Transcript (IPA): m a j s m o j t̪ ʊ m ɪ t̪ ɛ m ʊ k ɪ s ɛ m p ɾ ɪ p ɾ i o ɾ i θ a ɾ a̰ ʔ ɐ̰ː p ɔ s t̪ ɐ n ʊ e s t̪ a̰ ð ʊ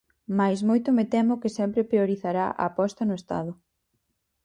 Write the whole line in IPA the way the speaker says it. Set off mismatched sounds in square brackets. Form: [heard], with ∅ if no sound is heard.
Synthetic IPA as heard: m a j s m o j t̪ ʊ m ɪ t̪ ɛ m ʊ k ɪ s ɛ m p ɾ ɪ p ɾ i o ɾ i θ a ɾ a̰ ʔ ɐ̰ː p ɔ s t̪ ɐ n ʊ e s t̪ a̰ ð ʊ